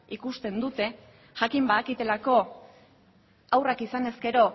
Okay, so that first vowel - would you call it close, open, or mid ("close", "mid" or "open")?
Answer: close